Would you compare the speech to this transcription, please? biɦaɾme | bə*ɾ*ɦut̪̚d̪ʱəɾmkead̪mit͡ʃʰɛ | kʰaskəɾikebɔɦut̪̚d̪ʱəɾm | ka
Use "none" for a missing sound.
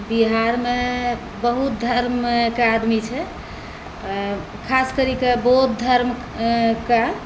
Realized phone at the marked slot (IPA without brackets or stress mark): none